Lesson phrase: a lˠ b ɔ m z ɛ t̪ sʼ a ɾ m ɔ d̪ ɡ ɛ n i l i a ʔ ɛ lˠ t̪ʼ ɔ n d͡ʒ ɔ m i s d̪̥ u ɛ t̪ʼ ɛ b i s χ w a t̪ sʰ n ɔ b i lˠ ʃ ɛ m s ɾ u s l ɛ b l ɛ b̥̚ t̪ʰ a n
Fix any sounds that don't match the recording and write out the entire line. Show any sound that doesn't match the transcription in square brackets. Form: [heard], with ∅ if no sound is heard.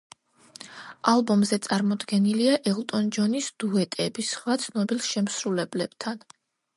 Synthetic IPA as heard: a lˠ b ɔ m z ɛ t̪ sʼ a ɾ m ɔ d̪ ɡ ɛ n i l i a ʔ ɛ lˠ t̪ʼ ɔ n d͡ʒ ɔ [n] i s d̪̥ u ɛ t̪ʼ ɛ b i s χ w a t̪ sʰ n ɔ b i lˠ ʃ ɛ m s ɾ u [∅] l ɛ b l ɛ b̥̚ t̪ʰ a n

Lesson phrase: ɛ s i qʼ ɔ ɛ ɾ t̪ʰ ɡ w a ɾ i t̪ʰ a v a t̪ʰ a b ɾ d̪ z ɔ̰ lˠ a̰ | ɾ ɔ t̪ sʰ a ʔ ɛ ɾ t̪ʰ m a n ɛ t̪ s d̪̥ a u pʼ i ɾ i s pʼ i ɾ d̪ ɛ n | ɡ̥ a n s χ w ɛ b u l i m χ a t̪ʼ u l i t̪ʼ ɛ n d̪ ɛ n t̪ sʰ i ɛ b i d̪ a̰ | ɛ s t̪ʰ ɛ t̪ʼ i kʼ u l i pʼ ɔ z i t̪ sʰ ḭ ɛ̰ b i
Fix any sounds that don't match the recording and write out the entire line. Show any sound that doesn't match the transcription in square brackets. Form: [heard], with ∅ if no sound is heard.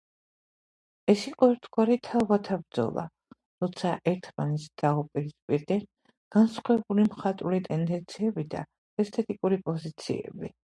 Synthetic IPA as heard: ɛ s i qʼ ɔ ɛ ɾ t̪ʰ ɡ w a ɾ i t̪ʰ a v a t̪ʰ a b ɾ d̪ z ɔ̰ lˠ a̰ | ɾ ɔ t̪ sʰ a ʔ ɛ ɾ t̪ʰ m a n ɛ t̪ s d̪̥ a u pʼ i ɾ i s pʼ i ɾ d̪ ɛ n | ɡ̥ a n s χ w ɛ b u l i m χ a t̪ʼ u l i t̪ʼ ɛ n d̪ ɛ n t̪ sʰ i ɛ b i d̪ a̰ | ɛ s t̪ʰ ɛ t̪ʼ i kʼ u [ɾ] i pʼ ɔ z i t̪ sʰ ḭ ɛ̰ b i

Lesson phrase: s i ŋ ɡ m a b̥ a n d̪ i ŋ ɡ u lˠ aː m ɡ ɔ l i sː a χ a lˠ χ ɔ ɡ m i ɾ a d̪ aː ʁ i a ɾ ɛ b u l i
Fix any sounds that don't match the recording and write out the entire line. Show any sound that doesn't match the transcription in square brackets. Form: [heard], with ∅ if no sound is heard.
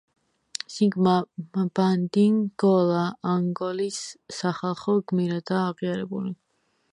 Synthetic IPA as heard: s i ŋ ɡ m a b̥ a n d̪ i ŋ ɡ [ɔ] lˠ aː [ŋ] ɡ ɔ l i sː a χ a lˠ χ ɔ ɡ m i ɾ a d̪ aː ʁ i a ɾ ɛ b u l i

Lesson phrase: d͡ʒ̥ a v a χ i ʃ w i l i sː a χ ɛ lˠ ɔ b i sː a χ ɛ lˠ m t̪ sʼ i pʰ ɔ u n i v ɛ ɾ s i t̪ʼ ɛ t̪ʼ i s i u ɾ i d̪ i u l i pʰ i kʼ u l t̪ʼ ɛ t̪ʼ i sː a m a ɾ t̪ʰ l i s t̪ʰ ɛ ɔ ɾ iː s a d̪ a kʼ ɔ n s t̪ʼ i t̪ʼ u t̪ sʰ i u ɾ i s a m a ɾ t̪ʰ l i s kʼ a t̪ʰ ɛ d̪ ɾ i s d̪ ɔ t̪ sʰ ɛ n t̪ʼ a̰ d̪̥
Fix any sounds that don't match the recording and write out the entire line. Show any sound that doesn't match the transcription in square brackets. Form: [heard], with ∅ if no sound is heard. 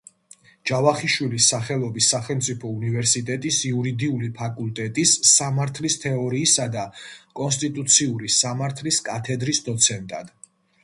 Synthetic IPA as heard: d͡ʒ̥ a v a χ i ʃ w i l i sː a χ ɛ lˠ ɔ b i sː a χ ɛ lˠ m t̪ sʼ i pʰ ɔ u n i v ɛ ɾ s i t̪ʼ ɛ t̪ʼ i s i u ɾ i d̪ i u l i pʰ [a] kʼ u l t̪ʼ ɛ t̪ʼ i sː a m a ɾ t̪ʰ l i s t̪ʰ ɛ ɔ ɾ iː s a d̪ a kʼ ɔ n s t̪ʼ i t̪ʼ u t̪ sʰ i u ɾ i s a m a ɾ t̪ʰ l i s kʼ a t̪ʰ ɛ d̪ ɾ i s d̪ ɔ t̪ sʰ ɛ n t̪ʼ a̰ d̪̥

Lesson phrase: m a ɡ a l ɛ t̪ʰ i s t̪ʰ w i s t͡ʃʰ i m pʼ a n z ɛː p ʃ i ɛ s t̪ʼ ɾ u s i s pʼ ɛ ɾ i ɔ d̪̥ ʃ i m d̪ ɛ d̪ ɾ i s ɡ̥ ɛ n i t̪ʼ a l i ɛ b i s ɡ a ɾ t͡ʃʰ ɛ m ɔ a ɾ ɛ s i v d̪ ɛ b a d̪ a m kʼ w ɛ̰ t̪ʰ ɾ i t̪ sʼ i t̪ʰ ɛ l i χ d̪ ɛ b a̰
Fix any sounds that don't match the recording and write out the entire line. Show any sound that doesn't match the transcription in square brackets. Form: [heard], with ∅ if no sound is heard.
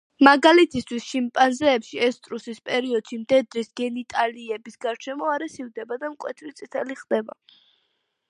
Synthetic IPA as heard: m a ɡ a l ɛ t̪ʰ i s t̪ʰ w i s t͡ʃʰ i m pʼ a n z ɛː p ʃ i ɛ s t̪ʼ ɾ u s i s pʼ ɛ ɾ i ɔ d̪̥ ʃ i m d̪ ɛ d̪ ɾ i s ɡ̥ ɛ n i t̪ʼ a l i ɛ b i s ɡ a ɾ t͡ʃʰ ɛ m ɔ a ɾ ɛ s i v d̪ ɛ b a d̪ a m kʼ w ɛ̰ t̪ʰ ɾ i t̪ sʼ i t̪ʰ ɛ l i χ d̪ ɛ b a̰

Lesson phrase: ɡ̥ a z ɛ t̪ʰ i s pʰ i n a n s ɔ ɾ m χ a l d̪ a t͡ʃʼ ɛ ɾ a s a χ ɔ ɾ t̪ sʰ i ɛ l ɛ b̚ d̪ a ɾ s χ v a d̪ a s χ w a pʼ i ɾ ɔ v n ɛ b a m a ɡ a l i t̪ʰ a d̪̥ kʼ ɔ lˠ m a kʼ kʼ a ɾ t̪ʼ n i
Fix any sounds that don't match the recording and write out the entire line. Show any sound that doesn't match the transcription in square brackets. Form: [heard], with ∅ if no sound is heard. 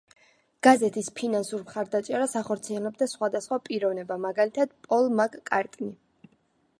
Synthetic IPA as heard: ɡ̥ a z ɛ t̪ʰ i s pʰ i n a n s [u] ɾ m χ a [ɾ] d̪ a t͡ʃʼ ɛ ɾ a s a χ ɔ ɾ t̪ sʰ i ɛ l ɛ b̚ d̪ a [∅] s χ [w] a d̪ a s χ w a pʼ i ɾ ɔ v n ɛ b a m a ɡ a l i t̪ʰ a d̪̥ [pʼ] ɔ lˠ m a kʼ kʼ a ɾ t̪ʼ n i

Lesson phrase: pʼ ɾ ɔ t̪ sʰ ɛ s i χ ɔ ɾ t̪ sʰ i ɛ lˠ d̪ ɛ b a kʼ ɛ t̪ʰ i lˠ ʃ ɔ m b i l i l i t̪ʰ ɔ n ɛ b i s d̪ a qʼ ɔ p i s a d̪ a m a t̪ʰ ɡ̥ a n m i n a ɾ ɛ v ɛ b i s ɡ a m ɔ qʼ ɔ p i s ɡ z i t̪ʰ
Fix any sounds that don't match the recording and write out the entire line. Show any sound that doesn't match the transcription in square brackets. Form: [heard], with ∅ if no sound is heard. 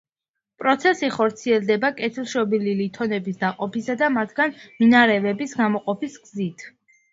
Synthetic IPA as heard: pʼ ɾ ɔ t̪ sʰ ɛ s i χ ɔ ɾ t̪ sʰ i ɛ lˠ d̪ ɛ b a kʼ ɛ t̪ʰ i lˠ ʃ ɔ [∅] b i l i l i t̪ʰ ɔ n ɛ b i s d̪ a qʼ ɔ p i s a d̪ a m a t̪ʰ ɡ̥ a n m i n a ɾ ɛ v ɛ b i s ɡ a m ɔ qʼ ɔ p i s ɡ z i t̪ʰ

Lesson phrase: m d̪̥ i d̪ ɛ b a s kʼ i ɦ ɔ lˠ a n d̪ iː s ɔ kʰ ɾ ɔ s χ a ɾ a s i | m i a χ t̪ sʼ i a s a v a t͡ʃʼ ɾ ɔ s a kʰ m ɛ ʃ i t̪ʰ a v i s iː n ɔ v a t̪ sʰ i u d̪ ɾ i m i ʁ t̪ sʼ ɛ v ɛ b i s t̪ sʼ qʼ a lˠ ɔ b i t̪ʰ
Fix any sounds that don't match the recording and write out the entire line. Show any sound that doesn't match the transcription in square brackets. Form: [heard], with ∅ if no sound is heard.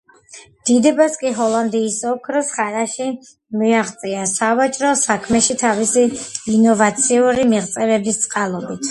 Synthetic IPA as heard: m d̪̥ i d̪ ɛ b a s kʼ i ɦ ɔ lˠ a n d̪ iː s ɔ kʰ ɾ ɔ s χ a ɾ a [ʃ] i | m i a χ t̪ sʼ i a s a v a t͡ʃʼ ɾ ɔ s a kʰ m ɛ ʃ i t̪ʰ a v i s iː n ɔ v a t̪ sʰ i u [∅] ɾ i m i ʁ t̪ sʼ ɛ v ɛ b i s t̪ sʼ qʼ a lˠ ɔ b i t̪ʰ

